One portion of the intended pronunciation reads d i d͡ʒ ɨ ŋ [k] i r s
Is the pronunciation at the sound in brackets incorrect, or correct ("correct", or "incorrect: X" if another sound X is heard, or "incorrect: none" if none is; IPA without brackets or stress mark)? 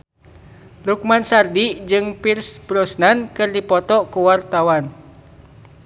incorrect: p